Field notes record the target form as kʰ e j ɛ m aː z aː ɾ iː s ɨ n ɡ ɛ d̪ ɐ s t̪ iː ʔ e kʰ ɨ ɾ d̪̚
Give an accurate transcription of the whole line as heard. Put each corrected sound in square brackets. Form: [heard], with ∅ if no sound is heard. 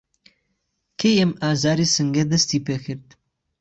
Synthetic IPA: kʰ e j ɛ m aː z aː ɾ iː s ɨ [ŋ] ɡ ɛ d̪ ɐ s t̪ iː [p] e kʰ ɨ ɾ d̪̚